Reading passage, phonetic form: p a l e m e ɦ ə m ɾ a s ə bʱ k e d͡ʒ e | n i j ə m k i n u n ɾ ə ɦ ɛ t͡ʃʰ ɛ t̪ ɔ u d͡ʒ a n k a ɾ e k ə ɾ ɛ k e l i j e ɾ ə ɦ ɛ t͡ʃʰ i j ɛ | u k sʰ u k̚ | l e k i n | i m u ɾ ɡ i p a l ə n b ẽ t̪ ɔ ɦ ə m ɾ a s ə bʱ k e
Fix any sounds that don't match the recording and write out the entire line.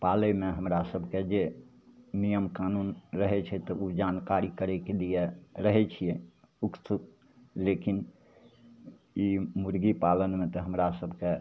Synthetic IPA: p a l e m e ɦ ə m ɾ a s ə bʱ k e d͡ʒ e | n i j ə m k a n u n ɾ ə ɦ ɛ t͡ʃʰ ɛ t̪ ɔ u d͡ʒ a n k a ɾ i k ə ɾ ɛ k e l i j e ɾ ə ɦ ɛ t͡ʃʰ i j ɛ | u k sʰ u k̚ | l e k i n | i m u ɾ ɡ i p a l ə n m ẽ t̪ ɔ ɦ ə m ɾ a s ə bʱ k e

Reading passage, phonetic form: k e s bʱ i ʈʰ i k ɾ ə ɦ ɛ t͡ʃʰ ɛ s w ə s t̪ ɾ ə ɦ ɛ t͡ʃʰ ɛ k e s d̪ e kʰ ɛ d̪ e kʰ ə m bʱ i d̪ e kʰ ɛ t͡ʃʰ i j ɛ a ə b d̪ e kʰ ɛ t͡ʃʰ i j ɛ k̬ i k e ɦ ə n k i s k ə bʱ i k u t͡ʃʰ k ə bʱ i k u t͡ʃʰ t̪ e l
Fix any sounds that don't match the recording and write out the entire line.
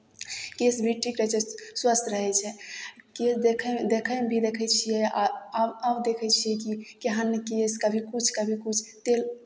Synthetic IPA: k e s bʱ i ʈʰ i k ɾ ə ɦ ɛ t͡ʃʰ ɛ s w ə s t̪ ɾ ə ɦ ɛ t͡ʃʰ ɛ k e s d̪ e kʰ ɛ d̪ e kʰ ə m bʱ i d̪ e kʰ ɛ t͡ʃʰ i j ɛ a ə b d̪ e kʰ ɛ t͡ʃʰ i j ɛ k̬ i k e ɦ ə n k e s k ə bʱ i k u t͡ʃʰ k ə bʱ i k u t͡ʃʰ t̪ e l

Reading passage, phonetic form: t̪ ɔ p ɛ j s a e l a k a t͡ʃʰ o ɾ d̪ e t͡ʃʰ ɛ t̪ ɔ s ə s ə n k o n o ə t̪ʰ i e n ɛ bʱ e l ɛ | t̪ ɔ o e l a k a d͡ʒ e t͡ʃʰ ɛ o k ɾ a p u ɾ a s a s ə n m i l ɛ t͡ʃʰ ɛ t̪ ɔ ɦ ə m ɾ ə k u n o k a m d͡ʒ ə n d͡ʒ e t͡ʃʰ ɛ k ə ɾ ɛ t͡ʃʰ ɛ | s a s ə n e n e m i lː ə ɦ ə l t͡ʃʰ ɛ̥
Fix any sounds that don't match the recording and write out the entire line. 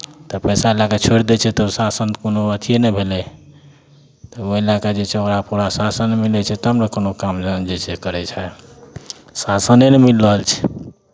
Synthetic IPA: t̪ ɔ p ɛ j s a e l a k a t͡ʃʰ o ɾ d̪ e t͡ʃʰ ɛ t̪ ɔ s a s ə n k o n o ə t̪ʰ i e n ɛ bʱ e l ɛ | t̪ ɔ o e l a k a d͡ʒ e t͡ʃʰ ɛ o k ɾ a p u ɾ a s a s ə n m i l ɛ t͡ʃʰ ɛ t̪ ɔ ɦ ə m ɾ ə k o n o k a m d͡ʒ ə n d͡ʒ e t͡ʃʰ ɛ k ə ɾ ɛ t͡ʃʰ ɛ | s a s ə n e n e m i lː ə ɦ ə l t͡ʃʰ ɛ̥

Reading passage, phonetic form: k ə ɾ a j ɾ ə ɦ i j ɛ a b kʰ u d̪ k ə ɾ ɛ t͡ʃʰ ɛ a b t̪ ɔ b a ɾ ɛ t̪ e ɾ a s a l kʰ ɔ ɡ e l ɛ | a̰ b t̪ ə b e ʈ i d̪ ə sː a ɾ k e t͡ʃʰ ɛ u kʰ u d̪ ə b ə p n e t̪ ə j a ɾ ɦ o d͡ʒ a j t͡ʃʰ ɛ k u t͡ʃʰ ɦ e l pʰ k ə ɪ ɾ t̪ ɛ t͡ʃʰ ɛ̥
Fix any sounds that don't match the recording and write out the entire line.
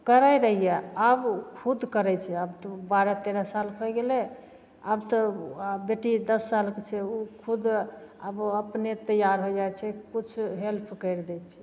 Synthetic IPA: k ə ɾ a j ɾ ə ɦ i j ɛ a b kʰ u d̪ k ə ɾ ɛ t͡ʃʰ ɛ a b t̪ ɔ b a ɾ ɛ t̪ e ɾ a s a l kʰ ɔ ɡ e l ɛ | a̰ b t̪ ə b e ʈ i d̪ ə sː a l k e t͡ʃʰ ɛ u kʰ u d̪ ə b ə p n e t̪ ə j a ɾ ɦ o d͡ʒ a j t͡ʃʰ ɛ k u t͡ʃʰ ɦ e l pʰ k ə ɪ ɾ d̪ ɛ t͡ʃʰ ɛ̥

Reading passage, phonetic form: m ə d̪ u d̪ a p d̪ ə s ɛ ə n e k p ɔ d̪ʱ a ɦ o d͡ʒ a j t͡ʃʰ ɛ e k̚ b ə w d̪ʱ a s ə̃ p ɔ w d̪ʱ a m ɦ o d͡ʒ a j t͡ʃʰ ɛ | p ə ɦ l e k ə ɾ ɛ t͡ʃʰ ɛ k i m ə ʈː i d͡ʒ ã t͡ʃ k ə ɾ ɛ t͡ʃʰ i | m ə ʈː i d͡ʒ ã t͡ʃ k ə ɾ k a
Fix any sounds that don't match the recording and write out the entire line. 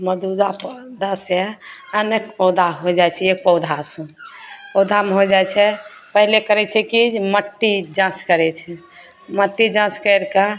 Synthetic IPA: m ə d̪ u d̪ a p d̪ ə s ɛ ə n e k p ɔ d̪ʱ a ɦ o d͡ʒ a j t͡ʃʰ ɛ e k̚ p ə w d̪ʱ a s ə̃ p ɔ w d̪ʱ a m ɦ o d͡ʒ a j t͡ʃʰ ɛ | p ə ɦ l e k ə ɾ ɛ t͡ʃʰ ɛ k i m ə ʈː i d͡ʒ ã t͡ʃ k ə ɾ ɛ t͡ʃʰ ɛ | m ə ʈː i d͡ʒ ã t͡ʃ k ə ɾ k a

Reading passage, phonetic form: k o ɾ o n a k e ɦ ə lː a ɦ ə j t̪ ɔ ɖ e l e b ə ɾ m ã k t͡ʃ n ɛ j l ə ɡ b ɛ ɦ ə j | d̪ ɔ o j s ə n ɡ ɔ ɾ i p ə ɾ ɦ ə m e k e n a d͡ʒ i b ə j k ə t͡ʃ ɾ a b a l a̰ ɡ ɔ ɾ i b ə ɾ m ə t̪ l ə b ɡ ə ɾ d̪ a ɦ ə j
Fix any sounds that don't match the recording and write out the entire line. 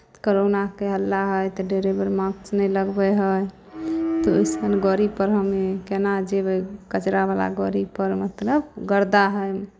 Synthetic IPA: k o ɾ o n a k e ɦ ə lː a ɦ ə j t̪ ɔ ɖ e ɾ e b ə ɾ m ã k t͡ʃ n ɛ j l ə ɡ b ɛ ɦ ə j | t̪ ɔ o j s ə n ɡ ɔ ɾ i p ə ɾ ɦ ə m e k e n a d͡ʒ e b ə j k ə t͡ʃ ɾ a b a l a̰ ɡ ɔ ɾ i p ə ɾ m ə t̪ l ə b ɡ ə ɾ d̪ a ɦ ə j

